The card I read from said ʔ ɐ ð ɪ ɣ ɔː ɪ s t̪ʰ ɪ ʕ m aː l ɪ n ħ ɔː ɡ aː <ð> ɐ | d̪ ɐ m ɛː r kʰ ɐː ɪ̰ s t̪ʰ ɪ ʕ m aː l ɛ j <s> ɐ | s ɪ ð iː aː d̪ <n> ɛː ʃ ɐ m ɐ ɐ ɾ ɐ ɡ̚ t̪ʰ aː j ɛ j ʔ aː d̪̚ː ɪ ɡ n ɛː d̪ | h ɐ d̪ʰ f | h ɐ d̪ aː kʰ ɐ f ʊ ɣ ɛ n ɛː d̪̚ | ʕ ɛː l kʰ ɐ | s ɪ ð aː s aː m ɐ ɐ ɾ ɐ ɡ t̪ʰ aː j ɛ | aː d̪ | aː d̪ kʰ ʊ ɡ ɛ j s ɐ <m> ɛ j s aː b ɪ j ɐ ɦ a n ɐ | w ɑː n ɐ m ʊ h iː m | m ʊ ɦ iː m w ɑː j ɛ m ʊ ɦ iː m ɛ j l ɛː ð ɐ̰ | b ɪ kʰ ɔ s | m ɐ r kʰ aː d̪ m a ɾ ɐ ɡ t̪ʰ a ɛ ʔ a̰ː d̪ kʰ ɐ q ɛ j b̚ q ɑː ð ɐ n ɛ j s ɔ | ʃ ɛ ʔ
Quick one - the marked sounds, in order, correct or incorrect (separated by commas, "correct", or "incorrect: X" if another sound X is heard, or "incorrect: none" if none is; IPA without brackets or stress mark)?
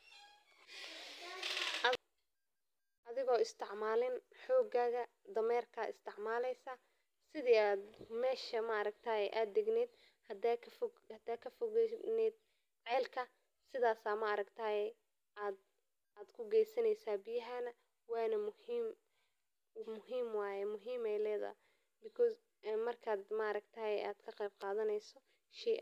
incorrect: ɣ, correct, incorrect: m, incorrect: n